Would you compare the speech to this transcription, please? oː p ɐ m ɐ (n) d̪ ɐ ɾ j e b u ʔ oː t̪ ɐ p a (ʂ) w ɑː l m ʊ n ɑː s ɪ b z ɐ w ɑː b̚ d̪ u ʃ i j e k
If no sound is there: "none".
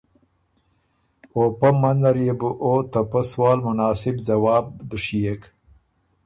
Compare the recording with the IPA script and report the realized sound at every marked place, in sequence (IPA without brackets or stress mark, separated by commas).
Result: n, s